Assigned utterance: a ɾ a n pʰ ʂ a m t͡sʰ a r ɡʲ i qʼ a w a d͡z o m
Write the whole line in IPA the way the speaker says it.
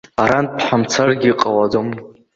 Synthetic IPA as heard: a ɾ a n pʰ ħ a m t͡sʰ a r ɡʲ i qʼ a w a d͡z o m